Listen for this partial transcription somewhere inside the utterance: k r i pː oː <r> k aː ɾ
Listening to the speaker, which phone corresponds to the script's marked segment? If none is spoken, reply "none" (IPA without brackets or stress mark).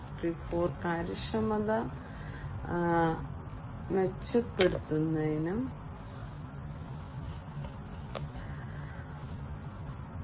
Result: r